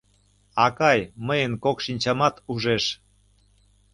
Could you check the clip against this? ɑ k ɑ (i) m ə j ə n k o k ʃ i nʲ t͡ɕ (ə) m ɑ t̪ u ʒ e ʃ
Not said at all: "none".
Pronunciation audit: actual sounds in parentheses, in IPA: j, ɑ

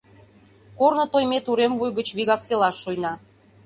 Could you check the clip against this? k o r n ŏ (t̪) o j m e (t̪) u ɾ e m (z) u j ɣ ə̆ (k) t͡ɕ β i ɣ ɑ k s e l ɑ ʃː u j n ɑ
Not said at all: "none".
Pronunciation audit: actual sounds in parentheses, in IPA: t̪, t̪, v, none

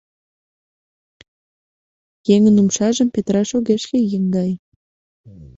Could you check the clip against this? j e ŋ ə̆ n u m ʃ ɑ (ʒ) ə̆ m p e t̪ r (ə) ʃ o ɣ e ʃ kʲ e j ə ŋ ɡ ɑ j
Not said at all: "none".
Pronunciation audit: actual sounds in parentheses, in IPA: ʒ, ɑ

